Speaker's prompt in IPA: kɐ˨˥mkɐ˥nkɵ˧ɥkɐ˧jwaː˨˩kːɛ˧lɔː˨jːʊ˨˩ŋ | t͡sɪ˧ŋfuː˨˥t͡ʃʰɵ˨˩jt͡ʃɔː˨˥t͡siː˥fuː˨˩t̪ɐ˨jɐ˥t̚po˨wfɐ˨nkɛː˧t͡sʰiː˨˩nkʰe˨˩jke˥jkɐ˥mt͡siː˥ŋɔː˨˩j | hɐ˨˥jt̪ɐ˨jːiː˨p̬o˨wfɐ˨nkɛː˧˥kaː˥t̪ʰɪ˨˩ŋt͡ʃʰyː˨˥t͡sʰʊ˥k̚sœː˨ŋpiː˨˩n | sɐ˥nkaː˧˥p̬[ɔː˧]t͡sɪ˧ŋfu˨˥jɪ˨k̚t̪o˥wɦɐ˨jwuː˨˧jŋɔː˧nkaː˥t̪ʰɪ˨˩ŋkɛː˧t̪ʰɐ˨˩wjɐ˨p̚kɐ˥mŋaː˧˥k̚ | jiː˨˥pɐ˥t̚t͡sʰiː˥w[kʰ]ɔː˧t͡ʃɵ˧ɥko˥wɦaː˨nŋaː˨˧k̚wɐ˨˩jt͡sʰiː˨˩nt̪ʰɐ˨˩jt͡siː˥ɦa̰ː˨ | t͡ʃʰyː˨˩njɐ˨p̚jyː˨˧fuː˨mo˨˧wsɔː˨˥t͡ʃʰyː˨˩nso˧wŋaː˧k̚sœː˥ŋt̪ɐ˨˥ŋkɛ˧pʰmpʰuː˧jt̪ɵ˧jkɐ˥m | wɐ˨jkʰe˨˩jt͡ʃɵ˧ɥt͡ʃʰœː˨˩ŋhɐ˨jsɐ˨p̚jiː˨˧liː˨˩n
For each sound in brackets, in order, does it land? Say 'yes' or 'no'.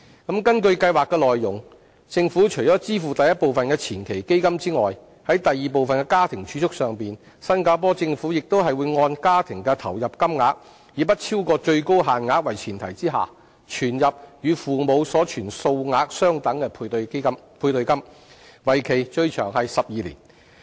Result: no, no

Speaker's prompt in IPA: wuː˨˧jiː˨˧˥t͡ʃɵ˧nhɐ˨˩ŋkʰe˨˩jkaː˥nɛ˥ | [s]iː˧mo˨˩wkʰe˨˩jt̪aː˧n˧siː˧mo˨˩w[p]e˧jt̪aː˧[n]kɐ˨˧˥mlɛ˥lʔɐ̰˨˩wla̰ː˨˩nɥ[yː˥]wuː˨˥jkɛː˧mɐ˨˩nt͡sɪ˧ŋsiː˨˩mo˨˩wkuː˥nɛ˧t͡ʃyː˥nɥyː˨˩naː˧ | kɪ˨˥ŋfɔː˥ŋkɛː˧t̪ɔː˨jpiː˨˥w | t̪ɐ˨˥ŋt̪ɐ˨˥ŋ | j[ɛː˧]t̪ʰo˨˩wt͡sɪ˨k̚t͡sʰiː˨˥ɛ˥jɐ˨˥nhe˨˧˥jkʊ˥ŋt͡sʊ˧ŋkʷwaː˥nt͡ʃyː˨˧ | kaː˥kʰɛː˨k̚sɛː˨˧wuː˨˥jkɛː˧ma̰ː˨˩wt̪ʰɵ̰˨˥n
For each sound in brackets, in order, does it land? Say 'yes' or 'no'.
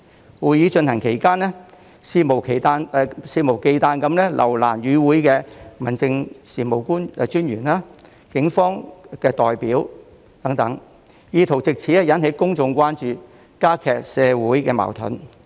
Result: yes, no, yes, no, no

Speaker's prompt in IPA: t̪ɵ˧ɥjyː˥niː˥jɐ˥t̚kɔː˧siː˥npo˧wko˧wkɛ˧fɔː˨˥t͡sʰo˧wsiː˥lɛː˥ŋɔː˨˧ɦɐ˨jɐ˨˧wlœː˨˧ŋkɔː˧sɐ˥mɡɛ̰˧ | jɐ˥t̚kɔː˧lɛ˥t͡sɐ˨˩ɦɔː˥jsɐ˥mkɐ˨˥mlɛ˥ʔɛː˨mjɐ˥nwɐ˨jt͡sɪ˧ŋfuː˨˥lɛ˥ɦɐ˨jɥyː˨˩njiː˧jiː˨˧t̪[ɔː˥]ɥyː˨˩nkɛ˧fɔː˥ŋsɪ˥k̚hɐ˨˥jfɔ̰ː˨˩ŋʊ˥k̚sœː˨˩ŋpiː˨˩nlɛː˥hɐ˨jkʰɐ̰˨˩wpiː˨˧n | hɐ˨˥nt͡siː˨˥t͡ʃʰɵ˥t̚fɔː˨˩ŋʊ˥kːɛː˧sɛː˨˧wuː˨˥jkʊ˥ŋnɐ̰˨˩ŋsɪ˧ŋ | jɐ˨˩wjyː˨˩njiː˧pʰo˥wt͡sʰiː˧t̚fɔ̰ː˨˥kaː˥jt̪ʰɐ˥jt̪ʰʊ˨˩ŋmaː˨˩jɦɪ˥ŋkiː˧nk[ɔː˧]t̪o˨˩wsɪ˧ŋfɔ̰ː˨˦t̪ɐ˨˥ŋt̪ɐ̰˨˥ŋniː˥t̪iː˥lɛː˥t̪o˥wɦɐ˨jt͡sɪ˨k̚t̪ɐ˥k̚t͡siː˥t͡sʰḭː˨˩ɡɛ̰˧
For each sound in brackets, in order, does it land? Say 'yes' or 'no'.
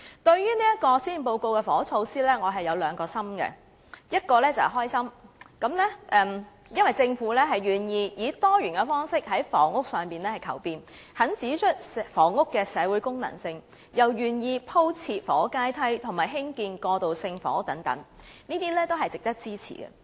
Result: yes, yes

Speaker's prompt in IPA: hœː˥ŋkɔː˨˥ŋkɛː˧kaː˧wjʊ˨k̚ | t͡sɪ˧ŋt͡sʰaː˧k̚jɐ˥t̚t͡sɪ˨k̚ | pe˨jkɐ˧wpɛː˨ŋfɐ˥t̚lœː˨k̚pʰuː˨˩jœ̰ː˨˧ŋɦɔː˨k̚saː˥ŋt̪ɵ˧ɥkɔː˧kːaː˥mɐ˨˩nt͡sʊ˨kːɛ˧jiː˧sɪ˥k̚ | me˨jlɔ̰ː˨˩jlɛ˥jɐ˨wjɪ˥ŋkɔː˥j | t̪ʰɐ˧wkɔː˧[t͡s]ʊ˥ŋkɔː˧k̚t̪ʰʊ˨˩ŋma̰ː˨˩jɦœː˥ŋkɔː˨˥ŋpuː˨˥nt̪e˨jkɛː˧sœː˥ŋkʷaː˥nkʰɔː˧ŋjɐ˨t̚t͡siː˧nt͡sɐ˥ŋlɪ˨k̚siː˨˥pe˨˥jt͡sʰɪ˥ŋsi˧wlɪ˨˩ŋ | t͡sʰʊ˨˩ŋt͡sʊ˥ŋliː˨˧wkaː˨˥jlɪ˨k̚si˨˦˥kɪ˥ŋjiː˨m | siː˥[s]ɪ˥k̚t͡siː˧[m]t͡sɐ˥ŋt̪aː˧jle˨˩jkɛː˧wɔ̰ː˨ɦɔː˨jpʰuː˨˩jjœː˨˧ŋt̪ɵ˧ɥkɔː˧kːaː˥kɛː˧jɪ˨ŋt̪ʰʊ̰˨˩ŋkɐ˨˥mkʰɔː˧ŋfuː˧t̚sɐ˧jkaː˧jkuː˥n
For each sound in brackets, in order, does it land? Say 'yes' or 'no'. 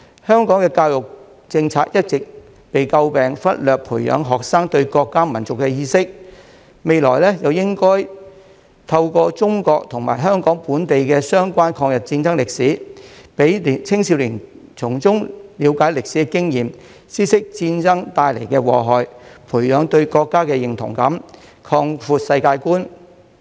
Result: yes, yes, no

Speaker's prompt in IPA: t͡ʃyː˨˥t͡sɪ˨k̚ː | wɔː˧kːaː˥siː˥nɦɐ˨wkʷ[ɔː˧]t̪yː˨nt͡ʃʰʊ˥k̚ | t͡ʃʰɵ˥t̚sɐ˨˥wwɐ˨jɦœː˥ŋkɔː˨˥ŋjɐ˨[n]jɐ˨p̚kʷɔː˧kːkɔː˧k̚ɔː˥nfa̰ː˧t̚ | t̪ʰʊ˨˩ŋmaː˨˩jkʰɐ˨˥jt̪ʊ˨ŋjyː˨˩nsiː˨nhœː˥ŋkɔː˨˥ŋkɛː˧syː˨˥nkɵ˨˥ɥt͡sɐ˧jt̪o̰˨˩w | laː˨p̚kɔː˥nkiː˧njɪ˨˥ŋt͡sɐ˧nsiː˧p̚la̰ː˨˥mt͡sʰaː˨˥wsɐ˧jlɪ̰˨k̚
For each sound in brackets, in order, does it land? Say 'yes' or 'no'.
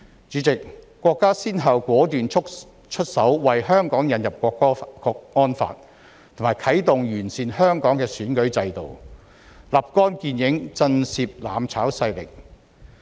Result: no, yes

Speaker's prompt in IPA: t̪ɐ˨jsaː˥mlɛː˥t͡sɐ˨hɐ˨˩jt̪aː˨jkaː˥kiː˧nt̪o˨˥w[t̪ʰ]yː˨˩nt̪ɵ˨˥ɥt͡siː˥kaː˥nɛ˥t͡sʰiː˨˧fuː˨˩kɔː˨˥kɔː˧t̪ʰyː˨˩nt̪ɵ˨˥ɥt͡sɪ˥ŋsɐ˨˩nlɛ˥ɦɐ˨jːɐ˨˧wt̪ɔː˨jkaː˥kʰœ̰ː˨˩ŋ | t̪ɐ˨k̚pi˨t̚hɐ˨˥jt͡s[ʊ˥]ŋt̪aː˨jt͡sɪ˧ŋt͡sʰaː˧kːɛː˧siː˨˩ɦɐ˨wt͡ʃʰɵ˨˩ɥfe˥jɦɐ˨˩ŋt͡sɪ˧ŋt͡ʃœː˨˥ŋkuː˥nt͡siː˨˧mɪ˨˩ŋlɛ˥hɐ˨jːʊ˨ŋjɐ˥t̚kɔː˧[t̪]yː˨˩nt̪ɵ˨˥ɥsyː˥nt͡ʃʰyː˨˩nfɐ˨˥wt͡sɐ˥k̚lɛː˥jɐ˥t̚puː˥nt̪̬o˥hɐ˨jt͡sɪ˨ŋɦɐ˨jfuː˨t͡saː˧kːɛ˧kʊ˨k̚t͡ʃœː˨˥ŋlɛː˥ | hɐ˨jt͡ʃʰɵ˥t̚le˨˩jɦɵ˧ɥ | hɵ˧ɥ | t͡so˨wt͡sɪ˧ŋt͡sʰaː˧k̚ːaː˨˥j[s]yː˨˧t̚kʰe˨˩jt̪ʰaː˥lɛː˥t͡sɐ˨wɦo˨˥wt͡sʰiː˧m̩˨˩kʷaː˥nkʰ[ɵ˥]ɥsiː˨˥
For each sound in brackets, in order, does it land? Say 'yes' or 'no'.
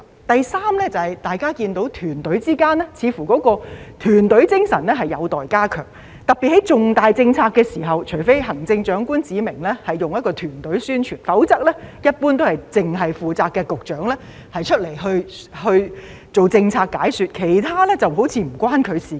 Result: yes, no, no, yes, no

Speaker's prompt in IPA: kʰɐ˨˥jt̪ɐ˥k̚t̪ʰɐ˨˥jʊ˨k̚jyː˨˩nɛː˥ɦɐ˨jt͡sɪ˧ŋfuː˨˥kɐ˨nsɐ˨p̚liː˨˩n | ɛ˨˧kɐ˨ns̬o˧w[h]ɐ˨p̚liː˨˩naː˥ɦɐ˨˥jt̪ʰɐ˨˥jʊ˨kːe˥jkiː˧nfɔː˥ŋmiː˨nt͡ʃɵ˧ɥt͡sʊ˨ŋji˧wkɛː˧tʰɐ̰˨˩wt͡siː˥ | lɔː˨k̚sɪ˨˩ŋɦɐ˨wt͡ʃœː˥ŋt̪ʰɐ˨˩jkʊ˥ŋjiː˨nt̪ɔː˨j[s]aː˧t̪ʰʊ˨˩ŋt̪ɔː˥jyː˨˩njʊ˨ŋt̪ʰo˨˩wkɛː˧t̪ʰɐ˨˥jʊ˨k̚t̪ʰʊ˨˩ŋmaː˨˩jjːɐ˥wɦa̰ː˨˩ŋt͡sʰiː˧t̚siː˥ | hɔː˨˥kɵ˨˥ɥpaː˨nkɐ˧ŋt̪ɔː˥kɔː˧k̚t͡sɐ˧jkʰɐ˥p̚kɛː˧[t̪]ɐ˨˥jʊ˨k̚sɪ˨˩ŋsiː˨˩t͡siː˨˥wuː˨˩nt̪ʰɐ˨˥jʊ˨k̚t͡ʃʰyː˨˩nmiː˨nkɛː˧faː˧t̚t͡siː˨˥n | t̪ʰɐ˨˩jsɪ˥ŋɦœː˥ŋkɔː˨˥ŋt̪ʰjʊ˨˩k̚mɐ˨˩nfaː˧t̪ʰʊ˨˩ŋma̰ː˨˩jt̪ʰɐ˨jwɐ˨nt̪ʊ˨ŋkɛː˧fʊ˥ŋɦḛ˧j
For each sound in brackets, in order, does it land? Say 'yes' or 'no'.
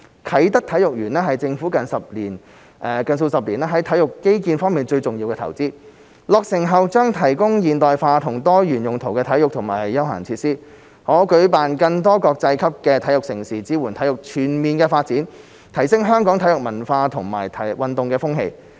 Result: no, no, no

